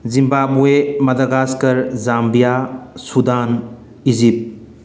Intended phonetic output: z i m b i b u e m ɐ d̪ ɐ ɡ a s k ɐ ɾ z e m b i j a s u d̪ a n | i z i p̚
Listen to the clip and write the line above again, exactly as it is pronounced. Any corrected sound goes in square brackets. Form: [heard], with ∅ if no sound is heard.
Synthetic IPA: z i m b [a] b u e m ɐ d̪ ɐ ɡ a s k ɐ ɾ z [a] m b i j a s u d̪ a n | i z i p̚

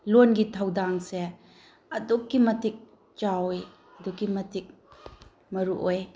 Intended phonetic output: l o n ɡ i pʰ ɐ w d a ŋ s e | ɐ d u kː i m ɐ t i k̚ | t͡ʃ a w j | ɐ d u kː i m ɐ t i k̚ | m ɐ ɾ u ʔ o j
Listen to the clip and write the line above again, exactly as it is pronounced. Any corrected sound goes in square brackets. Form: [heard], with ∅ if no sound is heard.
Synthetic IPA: l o n ɡ i [tʰ] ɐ w d a ŋ s e | ɐ d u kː i m ɐ t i k̚ | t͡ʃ a w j | ɐ d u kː i m ɐ t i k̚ | m ɐ ɾ u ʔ o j

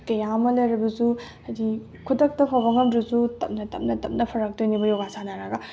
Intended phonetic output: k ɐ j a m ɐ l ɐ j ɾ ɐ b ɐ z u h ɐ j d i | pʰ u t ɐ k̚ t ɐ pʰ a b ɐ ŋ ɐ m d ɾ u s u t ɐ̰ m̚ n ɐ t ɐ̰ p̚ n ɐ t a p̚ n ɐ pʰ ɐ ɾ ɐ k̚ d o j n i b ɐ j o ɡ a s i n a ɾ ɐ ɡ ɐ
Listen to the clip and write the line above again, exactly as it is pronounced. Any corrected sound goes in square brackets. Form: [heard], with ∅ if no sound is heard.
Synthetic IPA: k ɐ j a m ɐ l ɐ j ɾ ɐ b ɐ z u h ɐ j d i | [kʰ] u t ɐ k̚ t ɐ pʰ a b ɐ ŋ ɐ m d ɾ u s u t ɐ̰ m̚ n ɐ t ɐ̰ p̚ n ɐ t [ɐ] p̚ n ɐ pʰ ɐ ɾ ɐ k̚ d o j n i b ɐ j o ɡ a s [a] n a ɾ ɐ ɡ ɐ

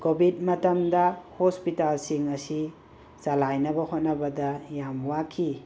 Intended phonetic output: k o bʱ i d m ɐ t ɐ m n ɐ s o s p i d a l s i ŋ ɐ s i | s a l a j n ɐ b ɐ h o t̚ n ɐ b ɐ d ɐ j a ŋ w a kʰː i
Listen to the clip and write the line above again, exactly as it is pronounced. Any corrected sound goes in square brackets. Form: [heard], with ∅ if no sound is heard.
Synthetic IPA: k o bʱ i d m ɐ t ɐ m [d] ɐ [h] o s p i [t] a l s i ŋ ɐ s i | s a l a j n ɐ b ɐ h o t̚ n ɐ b ɐ d ɐ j a [m] w a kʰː i

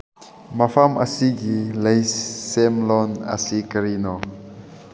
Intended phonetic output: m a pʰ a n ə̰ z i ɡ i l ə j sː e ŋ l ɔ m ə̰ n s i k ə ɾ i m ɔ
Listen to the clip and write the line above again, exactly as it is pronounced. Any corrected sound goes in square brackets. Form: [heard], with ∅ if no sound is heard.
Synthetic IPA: m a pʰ a [m] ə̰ [s] i ɡ i l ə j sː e [m] l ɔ [n] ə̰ [∅] s i k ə ɾ i [n] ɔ

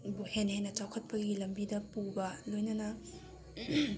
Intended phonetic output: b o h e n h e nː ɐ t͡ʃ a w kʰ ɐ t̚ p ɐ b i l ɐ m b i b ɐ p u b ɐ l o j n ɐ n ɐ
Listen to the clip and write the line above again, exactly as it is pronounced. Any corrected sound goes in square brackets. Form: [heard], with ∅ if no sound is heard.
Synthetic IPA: b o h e n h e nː ɐ t͡ʃ a w kʰ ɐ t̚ p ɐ [ɡ] i l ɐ m b i [d] ɐ p u b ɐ l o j n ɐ n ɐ

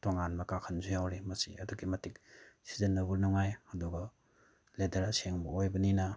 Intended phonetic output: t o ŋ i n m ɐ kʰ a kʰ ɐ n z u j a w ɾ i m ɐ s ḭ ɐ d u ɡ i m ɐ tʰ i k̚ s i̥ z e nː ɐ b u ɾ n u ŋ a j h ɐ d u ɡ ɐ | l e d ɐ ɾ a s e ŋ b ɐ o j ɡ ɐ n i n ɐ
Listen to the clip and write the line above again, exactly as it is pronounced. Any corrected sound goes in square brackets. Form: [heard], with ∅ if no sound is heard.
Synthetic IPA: t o ŋ [a] n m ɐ [k] a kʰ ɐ n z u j a w ɾ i m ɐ s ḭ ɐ d u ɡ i m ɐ [t] i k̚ s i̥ z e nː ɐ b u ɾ n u ŋ a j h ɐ d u ɡ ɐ | l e d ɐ ɾ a s e ŋ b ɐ o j [b] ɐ n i n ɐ

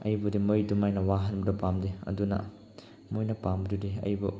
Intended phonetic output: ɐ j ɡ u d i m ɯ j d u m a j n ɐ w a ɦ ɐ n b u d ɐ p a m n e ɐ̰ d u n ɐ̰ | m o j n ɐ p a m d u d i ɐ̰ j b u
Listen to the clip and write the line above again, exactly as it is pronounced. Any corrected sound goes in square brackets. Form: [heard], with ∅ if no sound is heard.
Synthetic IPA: ɐ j [b] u d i m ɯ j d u m a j n ɐ w a ɦ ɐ n b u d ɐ p a m [d] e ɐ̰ d u n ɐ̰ | m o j n ɐ p a m d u d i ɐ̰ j b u

